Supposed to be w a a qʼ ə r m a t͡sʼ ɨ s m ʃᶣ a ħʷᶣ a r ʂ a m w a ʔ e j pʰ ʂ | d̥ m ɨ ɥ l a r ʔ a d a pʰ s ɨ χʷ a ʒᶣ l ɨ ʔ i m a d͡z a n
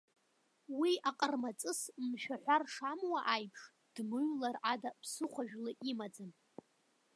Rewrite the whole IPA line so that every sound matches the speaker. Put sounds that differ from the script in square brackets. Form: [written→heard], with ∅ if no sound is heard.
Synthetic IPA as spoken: w [a→i] a qʼ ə r m a t͡sʼ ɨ s m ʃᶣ a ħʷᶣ a r ʂ a m w a ʔ [e→a] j pʰ ʂ | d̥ m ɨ ɥ l a r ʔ a d a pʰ s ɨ χʷ a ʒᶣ l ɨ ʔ i m a d͡z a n